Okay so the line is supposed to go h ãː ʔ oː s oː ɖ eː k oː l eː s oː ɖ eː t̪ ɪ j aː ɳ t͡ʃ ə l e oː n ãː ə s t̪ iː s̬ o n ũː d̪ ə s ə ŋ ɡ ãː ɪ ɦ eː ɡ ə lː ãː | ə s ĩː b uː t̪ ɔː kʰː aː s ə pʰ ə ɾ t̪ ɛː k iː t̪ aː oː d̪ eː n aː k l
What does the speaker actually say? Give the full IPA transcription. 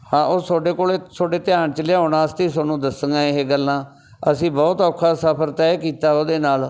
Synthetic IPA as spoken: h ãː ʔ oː s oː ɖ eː k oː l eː s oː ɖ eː t̪ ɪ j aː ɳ t͡ʃ ə l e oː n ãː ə s t̪ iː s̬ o n ũː d̪ ə s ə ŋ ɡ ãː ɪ ɦ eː ɡ ə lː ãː | ə s ĩː b ɔː t̪ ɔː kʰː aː s ə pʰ ə ɾ t̪ ɛː k iː t̪ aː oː d̪ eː n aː l